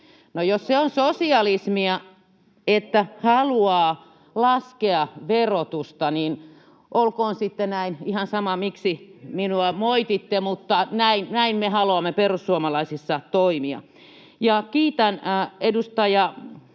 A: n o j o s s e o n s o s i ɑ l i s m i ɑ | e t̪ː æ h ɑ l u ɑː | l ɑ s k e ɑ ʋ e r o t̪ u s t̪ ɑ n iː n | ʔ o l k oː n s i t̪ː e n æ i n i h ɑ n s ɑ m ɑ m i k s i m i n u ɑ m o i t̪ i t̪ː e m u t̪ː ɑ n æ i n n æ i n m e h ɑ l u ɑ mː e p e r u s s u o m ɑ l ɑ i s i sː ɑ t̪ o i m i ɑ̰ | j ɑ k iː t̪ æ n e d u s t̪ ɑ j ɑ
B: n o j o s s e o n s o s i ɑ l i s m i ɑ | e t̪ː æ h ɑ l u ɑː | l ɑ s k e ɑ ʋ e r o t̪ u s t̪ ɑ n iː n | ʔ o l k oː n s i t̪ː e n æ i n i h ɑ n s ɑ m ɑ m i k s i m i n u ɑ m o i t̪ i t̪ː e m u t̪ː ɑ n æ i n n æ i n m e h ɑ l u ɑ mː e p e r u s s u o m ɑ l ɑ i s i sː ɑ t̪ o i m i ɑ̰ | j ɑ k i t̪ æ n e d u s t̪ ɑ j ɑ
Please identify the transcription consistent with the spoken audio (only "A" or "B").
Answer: A